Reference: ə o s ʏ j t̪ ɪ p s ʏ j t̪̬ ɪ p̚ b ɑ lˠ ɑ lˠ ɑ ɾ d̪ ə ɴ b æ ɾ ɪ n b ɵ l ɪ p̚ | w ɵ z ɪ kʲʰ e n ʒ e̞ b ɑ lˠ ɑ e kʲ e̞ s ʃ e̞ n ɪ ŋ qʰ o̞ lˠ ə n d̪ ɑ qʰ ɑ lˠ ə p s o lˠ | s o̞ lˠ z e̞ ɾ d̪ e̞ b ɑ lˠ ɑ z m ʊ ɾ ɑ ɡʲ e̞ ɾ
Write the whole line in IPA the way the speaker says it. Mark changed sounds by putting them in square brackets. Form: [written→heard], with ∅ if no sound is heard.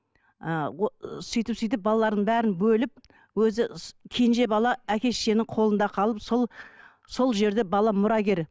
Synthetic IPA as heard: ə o s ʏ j t̪ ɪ p s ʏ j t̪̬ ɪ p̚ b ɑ lˠ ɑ lˠ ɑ ɾ d̪ ə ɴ b æ ɾ ɪ n b ɵ l ɪ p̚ | w ɵ z ɪ kʲʰ e n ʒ e̞ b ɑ lˠ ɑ [e→æ] kʲ e̞ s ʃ e̞ n ɪ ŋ qʰ o̞ lˠ ə n d̪ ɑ qʰ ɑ lˠ ə p s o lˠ | s o̞ lˠ [z→ʒ] e̞ ɾ d̪ e̞ b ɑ lˠ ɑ [z→∅] m ʊ ɾ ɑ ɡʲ e̞ ɾ